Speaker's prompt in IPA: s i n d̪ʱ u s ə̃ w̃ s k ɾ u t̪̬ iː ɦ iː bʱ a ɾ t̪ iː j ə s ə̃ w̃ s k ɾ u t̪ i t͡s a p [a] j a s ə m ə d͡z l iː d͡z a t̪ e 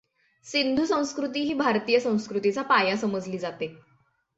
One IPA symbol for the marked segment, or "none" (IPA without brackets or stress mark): a